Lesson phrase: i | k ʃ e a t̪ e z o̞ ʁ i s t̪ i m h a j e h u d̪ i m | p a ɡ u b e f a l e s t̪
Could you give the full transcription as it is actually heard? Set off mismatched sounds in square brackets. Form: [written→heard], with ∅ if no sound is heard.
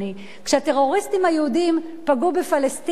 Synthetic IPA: i | k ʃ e a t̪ e [z→ʁ] o̞ ʁ i s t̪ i m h a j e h u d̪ i m | p a ɡ u b e f a l e s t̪